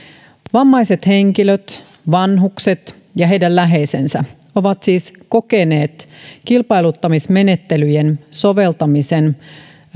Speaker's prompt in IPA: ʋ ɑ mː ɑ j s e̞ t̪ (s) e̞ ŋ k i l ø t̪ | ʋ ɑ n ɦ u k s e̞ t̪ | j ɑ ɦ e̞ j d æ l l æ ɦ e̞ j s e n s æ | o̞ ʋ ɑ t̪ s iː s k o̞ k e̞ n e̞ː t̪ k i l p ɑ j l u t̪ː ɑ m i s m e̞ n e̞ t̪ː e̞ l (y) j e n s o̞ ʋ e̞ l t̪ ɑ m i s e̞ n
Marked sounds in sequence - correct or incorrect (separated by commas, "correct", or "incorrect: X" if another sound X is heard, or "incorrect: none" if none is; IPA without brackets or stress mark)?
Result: incorrect: h, correct